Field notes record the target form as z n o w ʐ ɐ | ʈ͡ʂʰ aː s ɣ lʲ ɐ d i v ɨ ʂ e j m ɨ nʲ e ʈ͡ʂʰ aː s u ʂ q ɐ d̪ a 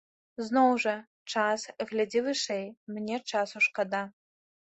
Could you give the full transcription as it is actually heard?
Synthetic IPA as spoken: z n o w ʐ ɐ | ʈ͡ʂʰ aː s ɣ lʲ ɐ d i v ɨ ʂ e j m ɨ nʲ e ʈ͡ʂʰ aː s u ʂ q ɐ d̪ a